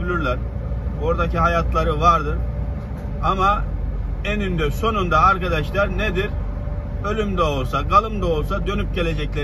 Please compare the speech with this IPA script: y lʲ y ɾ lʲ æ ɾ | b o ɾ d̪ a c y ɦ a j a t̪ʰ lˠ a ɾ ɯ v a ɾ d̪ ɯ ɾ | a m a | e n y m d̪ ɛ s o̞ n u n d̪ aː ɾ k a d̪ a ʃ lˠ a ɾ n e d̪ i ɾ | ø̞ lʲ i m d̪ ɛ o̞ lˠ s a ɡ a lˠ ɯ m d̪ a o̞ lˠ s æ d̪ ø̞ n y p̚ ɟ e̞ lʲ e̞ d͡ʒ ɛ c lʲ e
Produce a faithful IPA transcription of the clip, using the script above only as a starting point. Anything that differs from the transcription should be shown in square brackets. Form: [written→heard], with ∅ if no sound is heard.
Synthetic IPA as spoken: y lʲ y ɾ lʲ æ ɾ | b o ɾ d̪ a c [y→i] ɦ a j a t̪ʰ lˠ a ɾ ɯ v a ɾ d̪ ɯ ɾ | a m a | e n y [m→n] d̪ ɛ s o̞ n u n d̪ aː ɾ k a d̪ a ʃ lˠ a ɾ n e d̪ i ɾ | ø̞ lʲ [i→y] m d̪ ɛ o̞ lˠ s a ɡ a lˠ ɯ m d̪ a o̞ lˠ s [æ→a] d̪ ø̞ n y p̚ ɟ e̞ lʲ e̞ d͡ʒ ɛ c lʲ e